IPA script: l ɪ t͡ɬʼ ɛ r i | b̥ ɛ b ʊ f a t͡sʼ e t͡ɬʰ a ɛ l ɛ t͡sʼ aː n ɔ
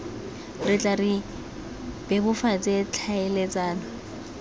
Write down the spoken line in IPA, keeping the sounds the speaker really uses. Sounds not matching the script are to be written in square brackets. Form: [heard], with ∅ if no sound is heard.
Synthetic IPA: [r] ɪ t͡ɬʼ [a] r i | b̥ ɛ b ʊ f a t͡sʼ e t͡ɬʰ a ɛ l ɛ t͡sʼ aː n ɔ